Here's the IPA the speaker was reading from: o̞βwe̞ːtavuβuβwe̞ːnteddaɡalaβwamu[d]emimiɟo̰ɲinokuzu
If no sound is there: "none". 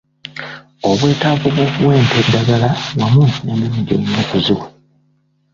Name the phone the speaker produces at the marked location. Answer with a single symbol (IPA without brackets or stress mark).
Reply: n